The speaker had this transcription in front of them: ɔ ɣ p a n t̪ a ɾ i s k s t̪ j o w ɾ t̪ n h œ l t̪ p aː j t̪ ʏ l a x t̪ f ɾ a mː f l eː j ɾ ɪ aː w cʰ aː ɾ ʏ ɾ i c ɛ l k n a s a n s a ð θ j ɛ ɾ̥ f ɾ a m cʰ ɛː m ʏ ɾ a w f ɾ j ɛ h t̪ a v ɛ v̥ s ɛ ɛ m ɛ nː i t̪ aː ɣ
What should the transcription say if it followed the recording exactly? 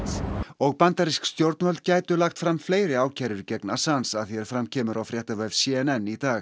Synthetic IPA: ɔ ɣ p a n t̪ a ɾ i s k s t̪ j o w ɾ t̪ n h œ l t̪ c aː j t̪ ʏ l a x t̪ f ɾ a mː f l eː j ɾ ɪ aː w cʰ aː ɾ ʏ ɾ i c ɛ k n a s a n s a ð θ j ɛ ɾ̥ f ɾ a m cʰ ɛː m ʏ ɾ a w f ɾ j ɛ h t̪ a v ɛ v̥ s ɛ ɛ n ɛ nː i t̪ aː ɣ